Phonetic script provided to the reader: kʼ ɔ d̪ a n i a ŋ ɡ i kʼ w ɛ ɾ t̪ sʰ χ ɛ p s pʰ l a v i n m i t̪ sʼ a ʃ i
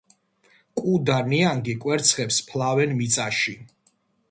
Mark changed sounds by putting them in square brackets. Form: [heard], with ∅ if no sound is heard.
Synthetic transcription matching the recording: kʼ [u] d̪ a n i a ŋ ɡ i kʼ w ɛ ɾ t̪ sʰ χ ɛ p s pʰ l a v [ɛ] n m i t̪ sʼ a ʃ i